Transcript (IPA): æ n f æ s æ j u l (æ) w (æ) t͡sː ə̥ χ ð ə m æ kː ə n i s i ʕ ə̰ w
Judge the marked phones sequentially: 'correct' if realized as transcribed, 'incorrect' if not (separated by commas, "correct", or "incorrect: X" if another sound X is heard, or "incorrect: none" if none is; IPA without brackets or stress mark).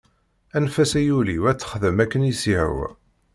incorrect: i, correct